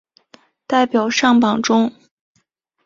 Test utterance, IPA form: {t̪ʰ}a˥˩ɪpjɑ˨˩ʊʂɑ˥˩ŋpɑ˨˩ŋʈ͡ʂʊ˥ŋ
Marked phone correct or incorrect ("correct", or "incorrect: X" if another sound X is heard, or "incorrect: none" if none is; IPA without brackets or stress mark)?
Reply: incorrect: t̪